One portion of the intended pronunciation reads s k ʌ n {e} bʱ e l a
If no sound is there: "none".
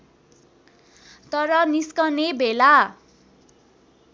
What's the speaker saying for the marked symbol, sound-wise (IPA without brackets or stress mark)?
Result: e